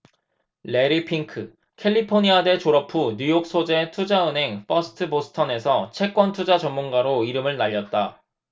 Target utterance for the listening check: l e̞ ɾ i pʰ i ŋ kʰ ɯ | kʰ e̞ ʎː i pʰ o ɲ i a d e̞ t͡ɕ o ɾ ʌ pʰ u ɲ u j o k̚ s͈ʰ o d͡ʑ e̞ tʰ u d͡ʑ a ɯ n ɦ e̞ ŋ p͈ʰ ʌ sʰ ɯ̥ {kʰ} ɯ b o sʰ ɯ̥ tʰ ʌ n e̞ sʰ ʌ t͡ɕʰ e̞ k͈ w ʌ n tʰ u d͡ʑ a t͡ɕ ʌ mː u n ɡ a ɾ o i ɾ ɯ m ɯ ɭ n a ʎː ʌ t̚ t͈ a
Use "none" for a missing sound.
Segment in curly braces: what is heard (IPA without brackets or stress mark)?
tʰ